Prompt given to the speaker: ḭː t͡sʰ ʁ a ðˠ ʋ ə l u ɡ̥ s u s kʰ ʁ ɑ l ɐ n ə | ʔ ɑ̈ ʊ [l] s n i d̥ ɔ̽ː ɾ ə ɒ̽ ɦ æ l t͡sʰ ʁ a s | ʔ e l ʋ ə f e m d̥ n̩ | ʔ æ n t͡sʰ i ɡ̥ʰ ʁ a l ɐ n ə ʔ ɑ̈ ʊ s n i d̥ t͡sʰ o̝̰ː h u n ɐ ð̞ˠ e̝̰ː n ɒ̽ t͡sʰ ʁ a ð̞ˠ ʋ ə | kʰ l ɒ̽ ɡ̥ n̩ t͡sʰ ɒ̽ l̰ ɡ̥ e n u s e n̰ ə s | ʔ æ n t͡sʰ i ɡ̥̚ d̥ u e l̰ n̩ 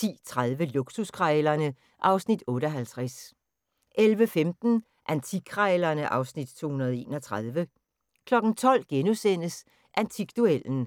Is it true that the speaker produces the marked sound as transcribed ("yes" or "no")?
no